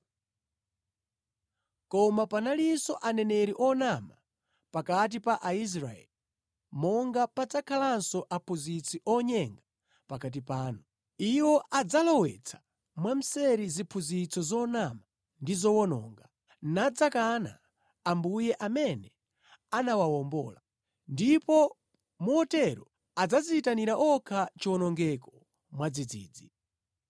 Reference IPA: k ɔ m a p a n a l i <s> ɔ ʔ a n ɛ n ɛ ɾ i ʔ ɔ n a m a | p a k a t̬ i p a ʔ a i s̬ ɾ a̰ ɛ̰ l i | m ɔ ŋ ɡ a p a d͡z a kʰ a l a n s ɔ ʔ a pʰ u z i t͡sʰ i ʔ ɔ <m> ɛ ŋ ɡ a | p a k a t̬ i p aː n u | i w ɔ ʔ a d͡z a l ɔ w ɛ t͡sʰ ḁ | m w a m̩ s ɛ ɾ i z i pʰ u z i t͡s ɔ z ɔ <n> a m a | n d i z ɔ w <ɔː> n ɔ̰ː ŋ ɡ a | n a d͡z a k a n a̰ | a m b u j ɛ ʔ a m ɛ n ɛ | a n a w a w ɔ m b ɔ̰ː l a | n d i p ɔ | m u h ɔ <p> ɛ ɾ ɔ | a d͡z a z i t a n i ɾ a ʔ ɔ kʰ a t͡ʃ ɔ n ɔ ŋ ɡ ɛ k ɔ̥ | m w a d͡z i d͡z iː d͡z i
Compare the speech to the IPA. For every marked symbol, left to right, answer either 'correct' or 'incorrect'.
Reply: correct, incorrect, correct, incorrect, incorrect

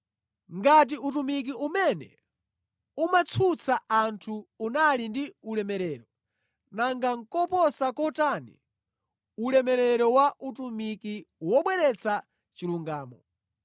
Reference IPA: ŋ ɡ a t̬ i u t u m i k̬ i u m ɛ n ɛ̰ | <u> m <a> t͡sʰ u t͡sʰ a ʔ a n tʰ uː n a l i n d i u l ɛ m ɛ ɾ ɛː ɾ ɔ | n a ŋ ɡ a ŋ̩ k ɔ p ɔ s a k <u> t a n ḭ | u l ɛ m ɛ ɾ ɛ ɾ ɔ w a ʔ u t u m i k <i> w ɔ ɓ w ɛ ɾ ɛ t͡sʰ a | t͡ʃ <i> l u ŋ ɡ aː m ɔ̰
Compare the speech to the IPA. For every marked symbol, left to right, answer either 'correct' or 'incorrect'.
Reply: correct, correct, incorrect, correct, correct

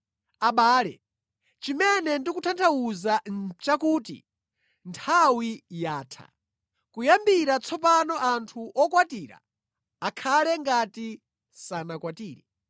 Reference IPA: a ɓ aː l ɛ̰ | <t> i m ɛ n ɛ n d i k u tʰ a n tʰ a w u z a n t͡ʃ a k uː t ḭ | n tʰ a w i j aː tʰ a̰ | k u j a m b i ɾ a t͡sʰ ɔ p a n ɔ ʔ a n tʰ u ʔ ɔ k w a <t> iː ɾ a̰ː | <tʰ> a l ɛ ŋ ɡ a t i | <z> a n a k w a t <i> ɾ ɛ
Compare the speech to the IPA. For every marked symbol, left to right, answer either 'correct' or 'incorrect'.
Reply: incorrect, correct, incorrect, incorrect, incorrect

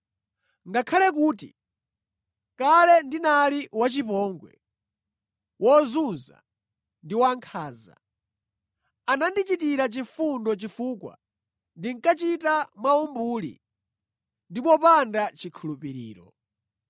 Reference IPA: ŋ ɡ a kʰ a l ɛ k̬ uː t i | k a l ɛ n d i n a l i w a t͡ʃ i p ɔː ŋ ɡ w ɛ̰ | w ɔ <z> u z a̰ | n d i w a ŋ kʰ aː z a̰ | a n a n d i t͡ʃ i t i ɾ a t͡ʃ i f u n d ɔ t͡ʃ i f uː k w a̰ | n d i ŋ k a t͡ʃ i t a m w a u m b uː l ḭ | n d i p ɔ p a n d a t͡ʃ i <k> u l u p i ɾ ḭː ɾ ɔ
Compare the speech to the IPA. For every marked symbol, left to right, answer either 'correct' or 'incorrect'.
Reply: correct, incorrect

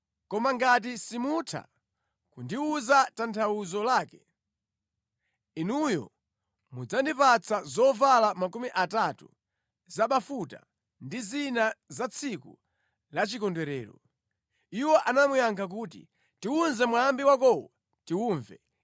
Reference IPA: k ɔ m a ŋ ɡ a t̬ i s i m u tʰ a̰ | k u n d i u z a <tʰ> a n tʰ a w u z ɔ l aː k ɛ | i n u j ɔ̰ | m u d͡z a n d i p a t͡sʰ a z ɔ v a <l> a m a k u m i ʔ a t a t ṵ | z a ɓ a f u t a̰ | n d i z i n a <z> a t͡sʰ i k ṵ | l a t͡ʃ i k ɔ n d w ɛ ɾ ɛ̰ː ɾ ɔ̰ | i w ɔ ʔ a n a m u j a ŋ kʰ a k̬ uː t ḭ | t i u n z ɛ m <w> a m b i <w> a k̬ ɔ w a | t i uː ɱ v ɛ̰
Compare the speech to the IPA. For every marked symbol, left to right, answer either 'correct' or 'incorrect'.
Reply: incorrect, correct, correct, correct, correct

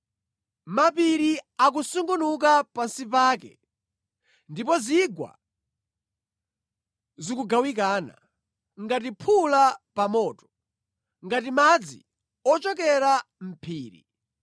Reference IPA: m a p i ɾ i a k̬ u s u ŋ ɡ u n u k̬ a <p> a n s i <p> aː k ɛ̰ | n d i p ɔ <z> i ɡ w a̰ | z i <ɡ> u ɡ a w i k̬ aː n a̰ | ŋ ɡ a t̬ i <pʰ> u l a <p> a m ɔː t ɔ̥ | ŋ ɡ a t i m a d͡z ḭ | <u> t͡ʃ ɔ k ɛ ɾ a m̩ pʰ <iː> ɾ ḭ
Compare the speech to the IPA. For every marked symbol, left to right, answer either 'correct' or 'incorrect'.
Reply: correct, correct, correct, incorrect, correct, correct, incorrect, correct

